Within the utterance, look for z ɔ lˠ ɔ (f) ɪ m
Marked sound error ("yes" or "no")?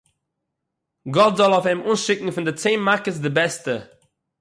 no